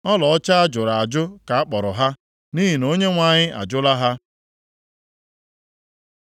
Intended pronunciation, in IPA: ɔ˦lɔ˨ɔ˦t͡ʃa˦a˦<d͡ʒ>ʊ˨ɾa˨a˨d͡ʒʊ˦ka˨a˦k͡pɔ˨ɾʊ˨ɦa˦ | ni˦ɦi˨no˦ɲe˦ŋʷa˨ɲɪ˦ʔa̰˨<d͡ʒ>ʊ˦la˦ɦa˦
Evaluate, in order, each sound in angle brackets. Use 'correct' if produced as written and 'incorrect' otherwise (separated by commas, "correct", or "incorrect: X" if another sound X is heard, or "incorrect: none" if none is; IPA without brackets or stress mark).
correct, correct